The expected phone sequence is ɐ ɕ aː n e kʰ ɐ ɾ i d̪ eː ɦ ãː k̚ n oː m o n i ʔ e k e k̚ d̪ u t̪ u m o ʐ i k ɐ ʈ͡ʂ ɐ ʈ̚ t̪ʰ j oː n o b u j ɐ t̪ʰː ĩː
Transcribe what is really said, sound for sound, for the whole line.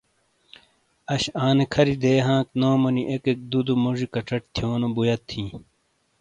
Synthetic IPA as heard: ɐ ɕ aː n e kʰ ɐ ɾ i d̪ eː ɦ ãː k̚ n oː m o n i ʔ e k e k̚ d̪ u d̪ u m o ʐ i k ɐ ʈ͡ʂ ɐ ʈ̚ t̪ʰ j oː n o b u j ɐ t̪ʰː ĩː

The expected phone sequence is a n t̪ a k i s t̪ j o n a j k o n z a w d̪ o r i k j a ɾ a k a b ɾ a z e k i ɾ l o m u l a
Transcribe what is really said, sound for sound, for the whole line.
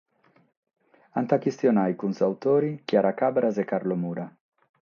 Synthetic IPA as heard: a n t̪ a k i s t̪ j o n a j k u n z a w t̪ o ɾ i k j a ɾ a k a b ɾ a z e k a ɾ l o m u ɾ a

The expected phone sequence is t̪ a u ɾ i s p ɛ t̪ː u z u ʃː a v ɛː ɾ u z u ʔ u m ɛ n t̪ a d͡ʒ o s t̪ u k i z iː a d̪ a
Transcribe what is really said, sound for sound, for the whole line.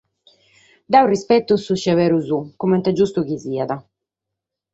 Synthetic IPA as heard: d̪ a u r i s p ɛ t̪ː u s u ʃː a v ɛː ɾ u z u k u m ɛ n t̪ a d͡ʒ u s t̪ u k i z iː a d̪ a

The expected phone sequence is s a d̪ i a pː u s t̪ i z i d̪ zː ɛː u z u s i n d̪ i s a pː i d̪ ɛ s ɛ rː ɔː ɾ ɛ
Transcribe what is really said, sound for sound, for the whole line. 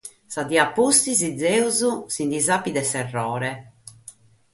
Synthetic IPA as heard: s a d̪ i a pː u s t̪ i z i d̪ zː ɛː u z u s i n d̪ i z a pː i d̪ ɛ s ɛ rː ɔː ɾ ɛ

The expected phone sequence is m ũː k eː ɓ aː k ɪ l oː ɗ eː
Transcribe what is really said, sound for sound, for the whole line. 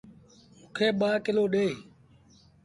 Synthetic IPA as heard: m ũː kʰ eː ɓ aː k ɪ l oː ɗ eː

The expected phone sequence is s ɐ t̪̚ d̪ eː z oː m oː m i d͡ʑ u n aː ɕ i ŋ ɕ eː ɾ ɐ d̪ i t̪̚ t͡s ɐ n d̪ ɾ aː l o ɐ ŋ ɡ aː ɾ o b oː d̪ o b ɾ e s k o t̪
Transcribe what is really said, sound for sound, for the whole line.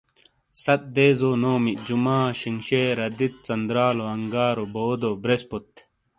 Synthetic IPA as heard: s ɐ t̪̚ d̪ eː z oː n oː m i d͡ʑ u m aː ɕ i ŋ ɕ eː ɾ ɐ d̪ i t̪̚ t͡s ɐ n d̪ ɾ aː l o ɐ ŋ ɡ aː ɾ o b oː d̪ o b ɾ e s p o t̪

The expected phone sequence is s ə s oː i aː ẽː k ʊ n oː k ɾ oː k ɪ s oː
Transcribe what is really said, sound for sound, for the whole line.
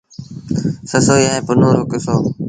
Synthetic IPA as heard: s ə s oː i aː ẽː p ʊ n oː ɾ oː k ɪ s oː

